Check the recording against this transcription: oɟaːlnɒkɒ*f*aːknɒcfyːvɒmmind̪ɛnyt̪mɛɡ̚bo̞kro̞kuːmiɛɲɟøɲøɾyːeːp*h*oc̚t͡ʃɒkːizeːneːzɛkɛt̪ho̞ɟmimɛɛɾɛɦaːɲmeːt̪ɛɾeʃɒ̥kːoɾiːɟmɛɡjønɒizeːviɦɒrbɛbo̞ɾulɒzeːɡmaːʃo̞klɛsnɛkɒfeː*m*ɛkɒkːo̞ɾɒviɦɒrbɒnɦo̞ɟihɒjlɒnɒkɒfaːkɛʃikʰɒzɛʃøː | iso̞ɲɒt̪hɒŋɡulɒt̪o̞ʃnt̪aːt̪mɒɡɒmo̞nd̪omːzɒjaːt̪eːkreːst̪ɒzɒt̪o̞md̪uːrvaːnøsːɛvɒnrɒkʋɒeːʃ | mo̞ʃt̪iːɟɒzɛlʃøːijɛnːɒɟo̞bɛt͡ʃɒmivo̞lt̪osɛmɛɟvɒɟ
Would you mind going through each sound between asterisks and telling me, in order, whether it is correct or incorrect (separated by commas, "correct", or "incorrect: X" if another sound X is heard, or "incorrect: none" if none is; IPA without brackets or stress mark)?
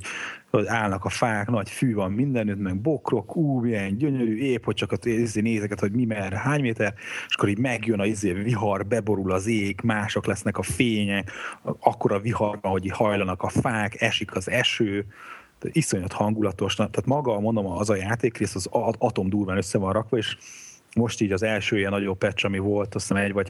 correct, correct, incorrect: ɲ